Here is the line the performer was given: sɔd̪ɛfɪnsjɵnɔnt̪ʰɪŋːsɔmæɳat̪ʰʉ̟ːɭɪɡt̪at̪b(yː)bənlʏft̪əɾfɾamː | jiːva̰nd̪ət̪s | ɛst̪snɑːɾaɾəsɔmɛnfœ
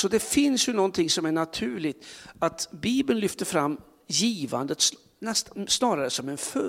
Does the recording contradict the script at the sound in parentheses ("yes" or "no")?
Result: yes